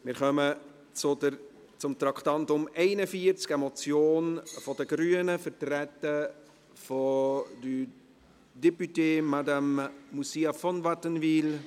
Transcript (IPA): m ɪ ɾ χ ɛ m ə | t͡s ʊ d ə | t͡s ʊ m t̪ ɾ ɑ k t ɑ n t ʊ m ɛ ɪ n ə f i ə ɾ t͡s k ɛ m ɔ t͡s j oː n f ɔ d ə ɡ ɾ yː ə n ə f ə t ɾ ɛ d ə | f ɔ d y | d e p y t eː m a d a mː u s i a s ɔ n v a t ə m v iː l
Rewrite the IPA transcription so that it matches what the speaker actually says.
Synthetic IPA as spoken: m ɪ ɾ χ œ m ə | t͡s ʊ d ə | t͡s ʊ m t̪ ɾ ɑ k t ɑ n t ʊ m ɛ ɪ n ə f i ə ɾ t͡s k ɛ m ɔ t͡s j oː n f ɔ d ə ɡ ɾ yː ə n ə f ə t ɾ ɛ t ə | f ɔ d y | d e p y t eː m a d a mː u s i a f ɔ n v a t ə n v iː l

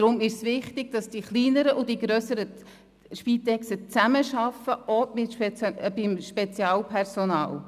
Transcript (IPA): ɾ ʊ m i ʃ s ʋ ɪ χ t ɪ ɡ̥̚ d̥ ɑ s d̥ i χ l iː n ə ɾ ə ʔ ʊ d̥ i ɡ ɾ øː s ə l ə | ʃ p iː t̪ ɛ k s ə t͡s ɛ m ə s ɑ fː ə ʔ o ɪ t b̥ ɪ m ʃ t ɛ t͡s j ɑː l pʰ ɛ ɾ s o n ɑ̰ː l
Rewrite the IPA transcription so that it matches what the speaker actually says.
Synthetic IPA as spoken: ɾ ʊ m ɪ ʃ s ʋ ɪ χ t ɪ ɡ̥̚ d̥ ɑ s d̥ i χ l iː n ə ɾ ə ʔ ʊ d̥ i ɡ ɾ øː s ə ɾ ə | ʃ p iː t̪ ɛ k s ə t͡s æ m ə ʃ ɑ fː ə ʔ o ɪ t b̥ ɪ m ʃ p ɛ t͡s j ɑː l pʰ ɛ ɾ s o n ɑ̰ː l

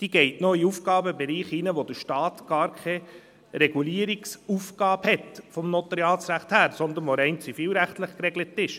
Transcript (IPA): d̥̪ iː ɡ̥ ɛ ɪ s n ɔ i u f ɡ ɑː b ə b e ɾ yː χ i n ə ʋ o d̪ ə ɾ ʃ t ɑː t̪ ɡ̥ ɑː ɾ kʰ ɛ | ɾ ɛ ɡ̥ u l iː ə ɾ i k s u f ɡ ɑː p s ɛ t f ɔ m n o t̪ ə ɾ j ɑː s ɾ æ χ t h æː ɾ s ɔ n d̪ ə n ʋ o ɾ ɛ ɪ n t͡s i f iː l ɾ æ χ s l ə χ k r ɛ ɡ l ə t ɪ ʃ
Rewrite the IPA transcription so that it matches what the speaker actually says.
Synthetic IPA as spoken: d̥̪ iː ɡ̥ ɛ ɪ t n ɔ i u f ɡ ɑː b ə b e ɾ iː χ i n ə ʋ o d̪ ə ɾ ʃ t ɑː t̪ ɡ̥ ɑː ɾ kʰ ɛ | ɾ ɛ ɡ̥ u l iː ə ɾ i k s u f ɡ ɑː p h ɛ t f ɔ m n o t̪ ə ɾ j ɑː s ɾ æ χ t h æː ɾ s ɔ n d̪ ə n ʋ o ɾ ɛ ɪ n t͡s i f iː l ɾ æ χ t l ə χ k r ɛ ɡ l ə t ɪ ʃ

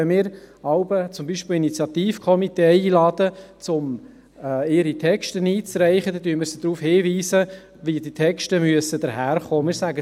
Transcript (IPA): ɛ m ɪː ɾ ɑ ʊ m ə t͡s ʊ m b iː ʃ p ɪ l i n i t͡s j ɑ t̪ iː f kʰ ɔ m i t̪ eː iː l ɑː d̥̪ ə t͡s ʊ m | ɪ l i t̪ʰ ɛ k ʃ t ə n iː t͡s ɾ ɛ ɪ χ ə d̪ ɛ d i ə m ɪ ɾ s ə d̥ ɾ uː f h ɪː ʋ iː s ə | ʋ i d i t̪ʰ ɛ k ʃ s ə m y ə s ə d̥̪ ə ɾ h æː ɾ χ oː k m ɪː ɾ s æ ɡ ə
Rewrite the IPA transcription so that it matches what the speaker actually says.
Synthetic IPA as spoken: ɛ m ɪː ɾ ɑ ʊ b ə t͡s ʊ m b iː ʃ p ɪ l i n i t͡s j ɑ t̪ iː f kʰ ɔ m i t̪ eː iː l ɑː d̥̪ ə t͡s ʊ m | ɪ ɾ i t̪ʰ ɛ k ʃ t ə n iː t͡s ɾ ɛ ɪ χ ə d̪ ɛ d y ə m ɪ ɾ s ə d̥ ɾ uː f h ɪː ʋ iː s ə | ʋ i d i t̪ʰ ɛ k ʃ t ə m y ə s ə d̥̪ ə ɾ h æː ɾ χ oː m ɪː ɾ s æ ɡ ə

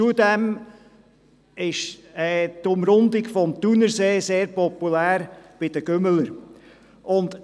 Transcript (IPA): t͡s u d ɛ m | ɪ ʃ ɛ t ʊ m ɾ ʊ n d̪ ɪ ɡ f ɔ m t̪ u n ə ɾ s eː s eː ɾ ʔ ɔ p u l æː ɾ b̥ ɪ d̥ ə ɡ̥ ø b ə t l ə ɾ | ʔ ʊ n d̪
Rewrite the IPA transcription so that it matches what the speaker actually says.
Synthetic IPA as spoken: t͡s u d ɛ m | ɪ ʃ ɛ t ʊ m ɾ ʊ n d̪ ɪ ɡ f ɔ m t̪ u n ə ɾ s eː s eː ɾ p ɔ p u l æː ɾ b̥ ɪ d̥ ə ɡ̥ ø m ə l ə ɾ | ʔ ʊ n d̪

